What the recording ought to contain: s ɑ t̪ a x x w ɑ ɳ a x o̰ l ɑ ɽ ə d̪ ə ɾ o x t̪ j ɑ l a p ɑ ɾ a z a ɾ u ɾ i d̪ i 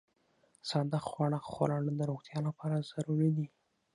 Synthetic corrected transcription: s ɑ d̪ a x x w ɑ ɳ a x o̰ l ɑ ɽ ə d̪ ə ɾ o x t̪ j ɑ l a p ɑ ɾ a z a ɾ u ɾ i d̪ i